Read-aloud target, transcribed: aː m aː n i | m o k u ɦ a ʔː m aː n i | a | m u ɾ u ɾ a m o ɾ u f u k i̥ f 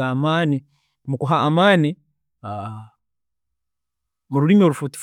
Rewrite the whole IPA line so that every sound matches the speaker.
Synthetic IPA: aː m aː n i | m u k u ɦ a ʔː m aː n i | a | m u ɾ u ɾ i m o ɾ u f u t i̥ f

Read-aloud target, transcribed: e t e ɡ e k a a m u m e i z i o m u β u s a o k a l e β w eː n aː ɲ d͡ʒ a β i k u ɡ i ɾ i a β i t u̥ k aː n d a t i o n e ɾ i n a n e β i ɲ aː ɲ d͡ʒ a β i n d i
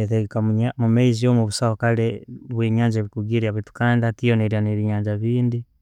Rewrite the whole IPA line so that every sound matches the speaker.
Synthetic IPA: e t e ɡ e k a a m u m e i z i o m u β u s a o k a l e β w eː ɲ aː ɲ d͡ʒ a β i k u ɡ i ɾ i a β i t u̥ k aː n d a t i o n e ɾ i a n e β i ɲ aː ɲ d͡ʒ a β iː n d i

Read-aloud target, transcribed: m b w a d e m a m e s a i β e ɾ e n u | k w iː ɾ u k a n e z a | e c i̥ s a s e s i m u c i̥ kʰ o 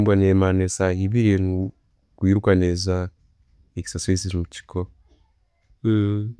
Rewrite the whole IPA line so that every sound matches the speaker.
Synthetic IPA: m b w a n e m a n e s a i β i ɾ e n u | k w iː ɾ u k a n e z a | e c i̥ s a s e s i m u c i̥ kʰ o

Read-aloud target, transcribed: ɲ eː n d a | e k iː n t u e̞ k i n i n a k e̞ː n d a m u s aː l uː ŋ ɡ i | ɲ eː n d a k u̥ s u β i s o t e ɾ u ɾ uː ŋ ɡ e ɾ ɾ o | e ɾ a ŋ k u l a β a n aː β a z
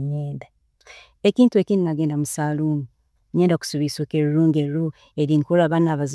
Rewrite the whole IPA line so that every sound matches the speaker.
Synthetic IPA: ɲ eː n d a | e k iː n t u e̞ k i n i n a ɡ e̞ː n d a m u s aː l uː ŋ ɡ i | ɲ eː n d a k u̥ s u β i s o k e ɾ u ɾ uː ŋ ɡ e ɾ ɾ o | e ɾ i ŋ k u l a β a n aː β a z

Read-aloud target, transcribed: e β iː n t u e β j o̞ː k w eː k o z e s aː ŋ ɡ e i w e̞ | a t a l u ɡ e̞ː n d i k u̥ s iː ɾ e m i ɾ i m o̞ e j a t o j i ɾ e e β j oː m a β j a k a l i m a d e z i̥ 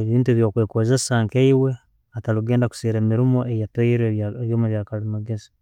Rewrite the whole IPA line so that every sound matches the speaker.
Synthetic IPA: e β iː n t u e β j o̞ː k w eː k o z e s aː ŋ k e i w e̞ | a t a l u ɡ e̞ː n d a k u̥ s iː ɾ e m i ɾ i m o̞ e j a t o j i ɾ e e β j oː m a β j a k a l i m a ɡ e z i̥

